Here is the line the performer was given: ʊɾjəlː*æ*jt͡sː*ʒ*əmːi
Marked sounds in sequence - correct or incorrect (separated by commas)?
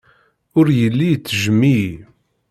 incorrect, correct